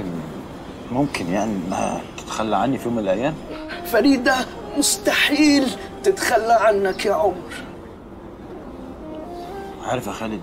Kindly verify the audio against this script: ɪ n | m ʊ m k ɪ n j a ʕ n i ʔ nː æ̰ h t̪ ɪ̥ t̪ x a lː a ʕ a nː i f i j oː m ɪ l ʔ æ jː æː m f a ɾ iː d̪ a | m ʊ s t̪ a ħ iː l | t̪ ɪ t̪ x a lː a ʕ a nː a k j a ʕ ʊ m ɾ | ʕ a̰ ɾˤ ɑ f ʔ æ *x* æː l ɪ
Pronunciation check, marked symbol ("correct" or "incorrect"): correct